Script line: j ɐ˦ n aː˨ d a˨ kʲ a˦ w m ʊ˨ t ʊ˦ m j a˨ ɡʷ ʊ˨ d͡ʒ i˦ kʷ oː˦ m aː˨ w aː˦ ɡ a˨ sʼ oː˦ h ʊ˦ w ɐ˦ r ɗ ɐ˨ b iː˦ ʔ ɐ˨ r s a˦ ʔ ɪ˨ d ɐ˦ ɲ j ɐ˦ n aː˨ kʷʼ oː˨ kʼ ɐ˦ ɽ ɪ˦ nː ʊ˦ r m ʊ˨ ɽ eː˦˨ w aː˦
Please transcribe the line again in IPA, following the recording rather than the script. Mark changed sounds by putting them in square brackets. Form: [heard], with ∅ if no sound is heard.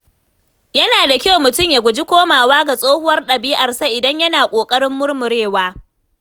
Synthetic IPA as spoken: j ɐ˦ n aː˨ d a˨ kʲ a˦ w m ʊ˨ t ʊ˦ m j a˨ ɡʷ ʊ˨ d͡ʒ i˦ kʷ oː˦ m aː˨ w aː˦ ɡ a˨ sʼ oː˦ h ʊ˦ w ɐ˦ r ɗ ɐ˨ b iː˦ ʔ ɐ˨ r s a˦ ʔ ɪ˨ d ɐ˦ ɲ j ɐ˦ n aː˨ kʷʼ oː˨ kʼ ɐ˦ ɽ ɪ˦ [mː] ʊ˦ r m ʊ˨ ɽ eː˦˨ w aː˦